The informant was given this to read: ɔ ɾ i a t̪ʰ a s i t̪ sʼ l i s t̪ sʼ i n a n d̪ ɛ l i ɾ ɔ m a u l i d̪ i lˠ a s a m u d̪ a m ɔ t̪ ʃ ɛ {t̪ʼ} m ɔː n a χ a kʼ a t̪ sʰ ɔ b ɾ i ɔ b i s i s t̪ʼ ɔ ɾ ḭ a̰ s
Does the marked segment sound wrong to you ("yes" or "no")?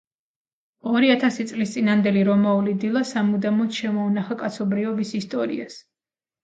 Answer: yes